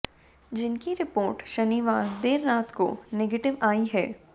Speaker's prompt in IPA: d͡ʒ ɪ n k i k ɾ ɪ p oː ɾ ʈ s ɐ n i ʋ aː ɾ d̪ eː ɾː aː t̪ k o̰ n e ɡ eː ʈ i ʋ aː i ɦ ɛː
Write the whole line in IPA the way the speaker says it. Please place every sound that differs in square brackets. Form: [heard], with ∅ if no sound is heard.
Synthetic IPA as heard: d͡ʒ ɪ n k i [∅] ɾ ɪ p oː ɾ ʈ [ʃ] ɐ n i ʋ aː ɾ d̪ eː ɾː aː t̪ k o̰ n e ɡ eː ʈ [ɪ] ʋ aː i ɦ ɛː